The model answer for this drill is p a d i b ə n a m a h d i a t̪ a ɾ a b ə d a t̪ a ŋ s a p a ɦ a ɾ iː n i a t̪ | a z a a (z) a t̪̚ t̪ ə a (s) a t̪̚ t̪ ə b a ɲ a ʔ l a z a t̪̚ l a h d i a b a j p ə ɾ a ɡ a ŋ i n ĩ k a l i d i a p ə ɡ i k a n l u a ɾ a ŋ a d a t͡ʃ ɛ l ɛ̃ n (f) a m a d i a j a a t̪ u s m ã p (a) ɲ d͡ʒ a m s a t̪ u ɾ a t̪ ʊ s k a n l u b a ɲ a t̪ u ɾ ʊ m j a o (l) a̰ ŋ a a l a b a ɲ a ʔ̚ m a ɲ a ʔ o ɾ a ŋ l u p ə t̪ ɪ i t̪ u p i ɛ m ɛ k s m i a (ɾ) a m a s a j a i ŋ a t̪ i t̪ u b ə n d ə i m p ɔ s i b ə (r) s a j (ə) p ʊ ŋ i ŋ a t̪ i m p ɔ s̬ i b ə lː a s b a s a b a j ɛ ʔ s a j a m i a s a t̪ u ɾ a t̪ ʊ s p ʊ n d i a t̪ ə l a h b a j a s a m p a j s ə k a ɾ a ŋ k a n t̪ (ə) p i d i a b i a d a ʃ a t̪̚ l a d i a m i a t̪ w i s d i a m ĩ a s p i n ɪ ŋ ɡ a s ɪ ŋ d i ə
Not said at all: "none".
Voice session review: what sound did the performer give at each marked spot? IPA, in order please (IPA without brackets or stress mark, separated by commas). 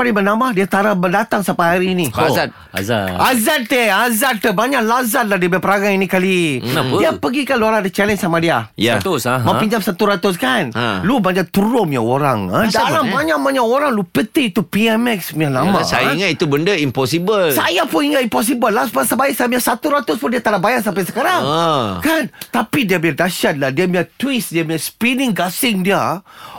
z, z, s, i, ɾ, l, l, a, a